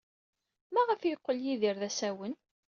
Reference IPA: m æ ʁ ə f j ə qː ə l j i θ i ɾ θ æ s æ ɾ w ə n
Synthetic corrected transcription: m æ ʁ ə f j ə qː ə l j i ð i ɾ ð æ s æ w ə n